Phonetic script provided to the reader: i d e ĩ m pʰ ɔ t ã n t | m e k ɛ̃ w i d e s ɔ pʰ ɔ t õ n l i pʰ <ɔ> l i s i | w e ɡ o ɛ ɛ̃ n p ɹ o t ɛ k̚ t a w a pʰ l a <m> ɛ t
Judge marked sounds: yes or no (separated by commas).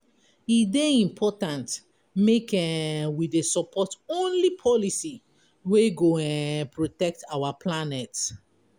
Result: yes, no